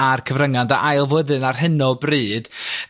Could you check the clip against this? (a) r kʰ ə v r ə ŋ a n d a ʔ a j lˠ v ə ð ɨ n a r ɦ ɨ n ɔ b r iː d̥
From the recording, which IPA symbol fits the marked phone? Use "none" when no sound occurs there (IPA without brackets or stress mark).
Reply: a